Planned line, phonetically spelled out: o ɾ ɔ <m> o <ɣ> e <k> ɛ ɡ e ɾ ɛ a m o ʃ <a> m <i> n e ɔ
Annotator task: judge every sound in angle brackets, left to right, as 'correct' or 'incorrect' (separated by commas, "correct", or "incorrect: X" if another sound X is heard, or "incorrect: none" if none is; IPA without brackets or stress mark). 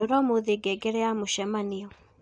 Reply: correct, incorrect: ð, incorrect: ɡ, incorrect: ɛ, incorrect: a